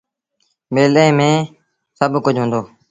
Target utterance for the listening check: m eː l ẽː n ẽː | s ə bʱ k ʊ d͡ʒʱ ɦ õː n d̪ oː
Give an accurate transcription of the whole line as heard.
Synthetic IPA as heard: m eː l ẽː m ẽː | s ə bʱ k ʊ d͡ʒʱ ɦ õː n d̪ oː